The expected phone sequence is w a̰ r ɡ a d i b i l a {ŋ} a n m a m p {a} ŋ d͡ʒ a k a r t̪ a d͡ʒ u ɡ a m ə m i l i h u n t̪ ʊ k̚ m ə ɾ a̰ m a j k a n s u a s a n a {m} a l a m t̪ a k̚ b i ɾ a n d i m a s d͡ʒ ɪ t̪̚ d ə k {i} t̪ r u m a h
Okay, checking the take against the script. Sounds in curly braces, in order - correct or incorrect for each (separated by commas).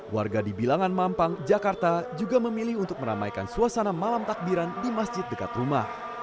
correct, correct, correct, incorrect